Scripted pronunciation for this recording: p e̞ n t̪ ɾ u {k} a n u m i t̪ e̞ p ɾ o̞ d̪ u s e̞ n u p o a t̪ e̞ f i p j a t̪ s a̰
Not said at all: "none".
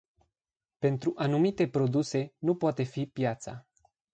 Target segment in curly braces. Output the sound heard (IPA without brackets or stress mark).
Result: ʔ